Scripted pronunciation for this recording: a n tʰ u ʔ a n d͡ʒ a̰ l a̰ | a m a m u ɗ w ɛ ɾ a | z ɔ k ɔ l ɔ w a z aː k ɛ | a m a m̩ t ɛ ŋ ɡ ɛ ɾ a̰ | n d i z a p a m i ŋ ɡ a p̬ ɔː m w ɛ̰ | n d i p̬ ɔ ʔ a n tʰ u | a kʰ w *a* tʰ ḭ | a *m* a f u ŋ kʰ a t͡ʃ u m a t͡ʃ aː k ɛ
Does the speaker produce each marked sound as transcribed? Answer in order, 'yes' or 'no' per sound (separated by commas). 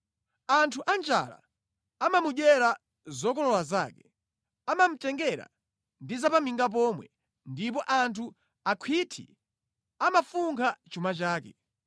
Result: no, yes